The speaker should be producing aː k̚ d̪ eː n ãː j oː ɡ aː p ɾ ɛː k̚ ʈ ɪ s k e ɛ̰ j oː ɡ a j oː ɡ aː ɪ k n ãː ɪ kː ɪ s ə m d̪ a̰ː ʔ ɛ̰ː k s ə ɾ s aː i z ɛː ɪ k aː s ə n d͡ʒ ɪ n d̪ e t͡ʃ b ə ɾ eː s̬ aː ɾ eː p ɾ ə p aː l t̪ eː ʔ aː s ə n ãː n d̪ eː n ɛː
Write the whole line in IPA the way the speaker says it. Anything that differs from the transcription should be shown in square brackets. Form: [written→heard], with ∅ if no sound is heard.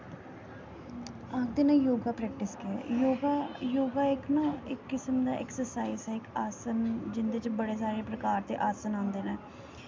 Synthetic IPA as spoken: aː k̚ d̪ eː n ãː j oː ɡ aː p ɾ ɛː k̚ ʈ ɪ s k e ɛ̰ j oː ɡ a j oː ɡ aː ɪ k n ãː ɪ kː ɪ s ə m d̪ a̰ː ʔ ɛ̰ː k s ə ɾ s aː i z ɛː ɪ k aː s ə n d͡ʒ ɪ n d̪ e t͡ʃ b ə [ɾ→ɽ] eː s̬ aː ɾ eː p ɾ ə [p→k] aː [l→ɾ] t̪ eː ʔ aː s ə n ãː n d̪ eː n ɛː